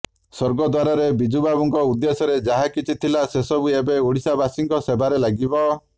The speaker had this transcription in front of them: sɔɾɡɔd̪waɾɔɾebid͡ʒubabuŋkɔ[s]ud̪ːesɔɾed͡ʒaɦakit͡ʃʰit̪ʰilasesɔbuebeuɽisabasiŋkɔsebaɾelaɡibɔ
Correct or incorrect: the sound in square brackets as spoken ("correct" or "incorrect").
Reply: incorrect